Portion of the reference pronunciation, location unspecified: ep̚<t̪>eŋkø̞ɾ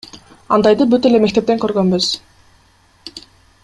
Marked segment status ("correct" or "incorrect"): correct